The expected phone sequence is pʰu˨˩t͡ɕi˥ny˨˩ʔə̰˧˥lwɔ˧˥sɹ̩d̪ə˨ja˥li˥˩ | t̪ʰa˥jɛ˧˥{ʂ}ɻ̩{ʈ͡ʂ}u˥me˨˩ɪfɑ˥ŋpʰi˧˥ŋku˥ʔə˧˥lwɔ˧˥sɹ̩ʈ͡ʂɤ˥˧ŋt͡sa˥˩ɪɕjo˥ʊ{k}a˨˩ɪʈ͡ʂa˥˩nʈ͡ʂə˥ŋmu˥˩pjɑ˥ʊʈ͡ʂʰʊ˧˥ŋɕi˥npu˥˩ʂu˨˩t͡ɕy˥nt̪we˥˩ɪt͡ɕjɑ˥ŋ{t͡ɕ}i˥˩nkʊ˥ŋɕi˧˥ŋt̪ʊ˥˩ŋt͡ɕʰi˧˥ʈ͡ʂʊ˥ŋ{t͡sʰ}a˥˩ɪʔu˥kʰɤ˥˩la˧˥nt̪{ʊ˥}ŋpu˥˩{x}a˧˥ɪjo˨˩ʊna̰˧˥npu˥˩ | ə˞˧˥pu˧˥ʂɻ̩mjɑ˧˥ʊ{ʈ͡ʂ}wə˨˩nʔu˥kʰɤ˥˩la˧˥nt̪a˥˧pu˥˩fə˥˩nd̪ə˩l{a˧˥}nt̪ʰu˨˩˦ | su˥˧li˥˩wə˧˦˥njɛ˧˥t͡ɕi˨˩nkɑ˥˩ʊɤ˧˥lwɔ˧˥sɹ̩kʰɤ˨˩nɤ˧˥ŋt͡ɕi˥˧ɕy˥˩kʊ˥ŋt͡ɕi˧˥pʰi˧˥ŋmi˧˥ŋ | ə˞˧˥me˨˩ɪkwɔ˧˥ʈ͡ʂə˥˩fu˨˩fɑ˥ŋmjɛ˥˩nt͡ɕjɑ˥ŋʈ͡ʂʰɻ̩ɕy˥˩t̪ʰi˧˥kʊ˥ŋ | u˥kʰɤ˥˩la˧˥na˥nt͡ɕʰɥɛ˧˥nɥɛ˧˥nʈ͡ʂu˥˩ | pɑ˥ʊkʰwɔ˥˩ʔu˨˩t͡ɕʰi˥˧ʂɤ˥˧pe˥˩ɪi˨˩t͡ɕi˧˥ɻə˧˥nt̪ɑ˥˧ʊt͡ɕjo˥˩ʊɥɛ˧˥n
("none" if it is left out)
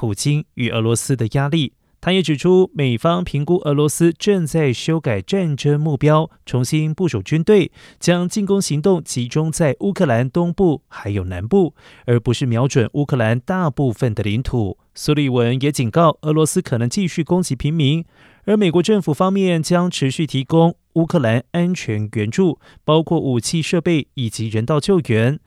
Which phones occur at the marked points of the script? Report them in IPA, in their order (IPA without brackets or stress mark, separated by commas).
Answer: ʈ͡ʂ, ʈ͡ʂʰ, k, t͡ɕ, t͡s, ʊ˥, x, ʈ͡ʂ, i˧˥